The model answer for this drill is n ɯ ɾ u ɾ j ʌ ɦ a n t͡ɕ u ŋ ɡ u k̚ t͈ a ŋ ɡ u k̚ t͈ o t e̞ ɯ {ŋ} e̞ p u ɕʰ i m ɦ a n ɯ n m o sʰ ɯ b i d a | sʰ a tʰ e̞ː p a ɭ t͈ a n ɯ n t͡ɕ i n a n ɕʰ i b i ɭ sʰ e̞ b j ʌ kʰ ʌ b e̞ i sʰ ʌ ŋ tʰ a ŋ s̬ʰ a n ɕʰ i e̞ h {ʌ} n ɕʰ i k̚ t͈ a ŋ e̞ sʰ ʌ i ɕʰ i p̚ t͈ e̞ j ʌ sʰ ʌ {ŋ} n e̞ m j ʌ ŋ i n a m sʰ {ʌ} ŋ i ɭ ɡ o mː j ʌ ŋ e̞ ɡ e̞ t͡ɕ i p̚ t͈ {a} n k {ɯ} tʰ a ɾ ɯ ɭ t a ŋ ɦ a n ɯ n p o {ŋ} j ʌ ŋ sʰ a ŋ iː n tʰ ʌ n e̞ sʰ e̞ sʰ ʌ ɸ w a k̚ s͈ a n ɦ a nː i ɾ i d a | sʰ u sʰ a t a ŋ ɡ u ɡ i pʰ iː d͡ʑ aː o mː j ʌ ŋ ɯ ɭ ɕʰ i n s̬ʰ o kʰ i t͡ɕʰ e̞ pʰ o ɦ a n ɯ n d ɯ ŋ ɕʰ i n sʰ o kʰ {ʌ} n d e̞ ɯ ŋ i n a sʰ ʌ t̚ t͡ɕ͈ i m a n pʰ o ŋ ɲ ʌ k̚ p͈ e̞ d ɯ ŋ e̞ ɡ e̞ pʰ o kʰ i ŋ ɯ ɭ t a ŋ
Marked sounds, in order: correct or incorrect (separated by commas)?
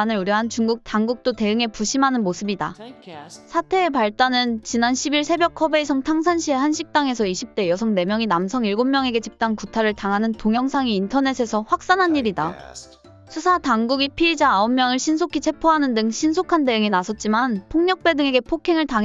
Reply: correct, incorrect, correct, correct, correct, incorrect, correct, incorrect